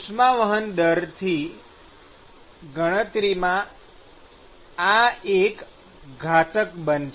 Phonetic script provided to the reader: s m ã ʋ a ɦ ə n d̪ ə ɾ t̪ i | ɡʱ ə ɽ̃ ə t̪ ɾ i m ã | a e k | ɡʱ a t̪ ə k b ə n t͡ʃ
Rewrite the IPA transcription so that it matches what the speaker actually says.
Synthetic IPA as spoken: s m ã ʋ ə ɦ ə n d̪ ə ɾ t̪ʰ i | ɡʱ ə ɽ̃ ə t̪ ɾ i m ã | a e k | ɡʱ a t̪ ə k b ə n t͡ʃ